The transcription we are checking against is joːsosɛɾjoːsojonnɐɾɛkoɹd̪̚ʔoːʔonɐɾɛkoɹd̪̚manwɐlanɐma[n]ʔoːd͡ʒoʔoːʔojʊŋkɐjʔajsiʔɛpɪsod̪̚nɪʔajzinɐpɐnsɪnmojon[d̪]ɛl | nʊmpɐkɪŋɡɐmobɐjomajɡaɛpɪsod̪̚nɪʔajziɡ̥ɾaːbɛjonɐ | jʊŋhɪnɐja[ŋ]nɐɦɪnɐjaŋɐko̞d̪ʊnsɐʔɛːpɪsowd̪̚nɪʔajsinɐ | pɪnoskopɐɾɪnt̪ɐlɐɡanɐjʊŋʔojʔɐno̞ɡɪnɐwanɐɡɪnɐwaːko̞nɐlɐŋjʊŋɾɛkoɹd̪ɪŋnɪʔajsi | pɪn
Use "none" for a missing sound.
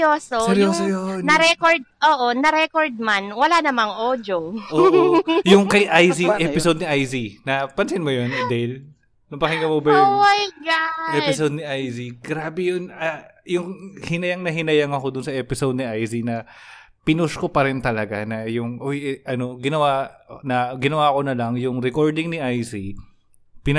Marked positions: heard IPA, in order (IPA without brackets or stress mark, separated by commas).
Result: ŋ, d̪, ŋ